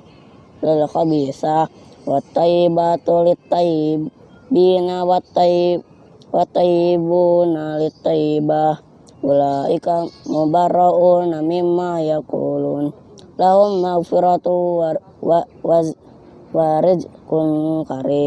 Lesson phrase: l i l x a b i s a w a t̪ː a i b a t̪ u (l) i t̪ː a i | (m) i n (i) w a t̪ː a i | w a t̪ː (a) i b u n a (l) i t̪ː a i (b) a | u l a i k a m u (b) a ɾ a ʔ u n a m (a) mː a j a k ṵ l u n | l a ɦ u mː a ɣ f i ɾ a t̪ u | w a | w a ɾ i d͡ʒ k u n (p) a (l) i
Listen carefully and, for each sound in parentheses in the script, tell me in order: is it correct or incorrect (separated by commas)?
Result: correct, incorrect, incorrect, correct, correct, correct, correct, incorrect, incorrect, incorrect